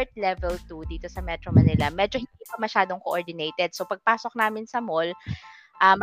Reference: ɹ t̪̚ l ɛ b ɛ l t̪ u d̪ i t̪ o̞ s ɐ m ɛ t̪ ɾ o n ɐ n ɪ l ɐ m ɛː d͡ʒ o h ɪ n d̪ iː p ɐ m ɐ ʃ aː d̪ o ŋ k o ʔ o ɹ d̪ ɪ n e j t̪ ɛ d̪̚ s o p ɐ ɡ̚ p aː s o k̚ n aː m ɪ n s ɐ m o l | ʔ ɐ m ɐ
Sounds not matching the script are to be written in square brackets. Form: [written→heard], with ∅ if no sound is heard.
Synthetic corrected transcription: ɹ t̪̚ l ɛ [b→v] ɛ l t̪ u d̪ [i→iː] t̪ o̞ s ɐ m ɛ t̪ ɾ o [n→m] ɐ n ɪ l ɐ m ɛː d͡ʒ o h ɪ n d̪ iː p ɐ m ɐ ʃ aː d̪ o ŋ k o ʔ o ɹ d̪ ɪ n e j t̪ ɛ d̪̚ s o p ɐ ɡ̚ p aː s o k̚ n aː m ɪ n s ɐ m o l | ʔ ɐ m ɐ